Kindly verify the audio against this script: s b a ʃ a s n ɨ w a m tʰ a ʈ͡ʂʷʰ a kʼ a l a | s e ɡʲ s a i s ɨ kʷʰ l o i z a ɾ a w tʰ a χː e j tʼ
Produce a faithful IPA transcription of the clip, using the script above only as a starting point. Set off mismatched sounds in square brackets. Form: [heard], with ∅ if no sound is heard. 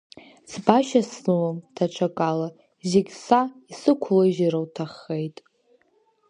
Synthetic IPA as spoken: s b a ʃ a s n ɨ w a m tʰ a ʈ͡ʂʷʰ a kʼ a l a | [z] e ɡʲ s a i s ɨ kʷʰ l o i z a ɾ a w tʰ a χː e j tʼ